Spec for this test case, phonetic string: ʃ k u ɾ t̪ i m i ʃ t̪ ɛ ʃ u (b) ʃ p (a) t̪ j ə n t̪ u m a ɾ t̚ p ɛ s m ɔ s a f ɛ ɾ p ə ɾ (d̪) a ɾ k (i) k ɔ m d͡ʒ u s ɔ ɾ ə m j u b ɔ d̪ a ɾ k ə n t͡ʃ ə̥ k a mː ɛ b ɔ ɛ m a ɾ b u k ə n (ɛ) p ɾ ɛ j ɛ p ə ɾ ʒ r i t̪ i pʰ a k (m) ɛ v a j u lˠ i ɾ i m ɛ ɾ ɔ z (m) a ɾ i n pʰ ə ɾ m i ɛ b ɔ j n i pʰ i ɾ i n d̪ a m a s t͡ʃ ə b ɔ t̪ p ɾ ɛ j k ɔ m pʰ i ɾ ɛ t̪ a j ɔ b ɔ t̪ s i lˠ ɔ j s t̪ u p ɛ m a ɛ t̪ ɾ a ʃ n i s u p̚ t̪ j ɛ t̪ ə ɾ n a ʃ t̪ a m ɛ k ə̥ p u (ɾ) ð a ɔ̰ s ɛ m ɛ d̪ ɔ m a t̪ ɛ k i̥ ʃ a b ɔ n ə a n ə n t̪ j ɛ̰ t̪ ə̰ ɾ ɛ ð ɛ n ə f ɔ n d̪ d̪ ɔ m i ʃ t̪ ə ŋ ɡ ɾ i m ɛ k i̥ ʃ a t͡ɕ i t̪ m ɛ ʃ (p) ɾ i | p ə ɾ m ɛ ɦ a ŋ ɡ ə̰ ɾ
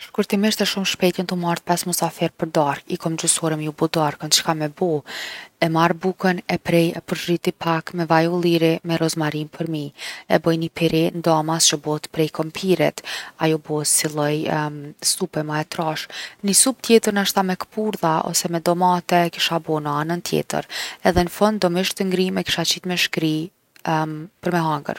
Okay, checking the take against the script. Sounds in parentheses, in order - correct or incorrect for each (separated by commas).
incorrect, incorrect, correct, correct, correct, correct, correct, correct, incorrect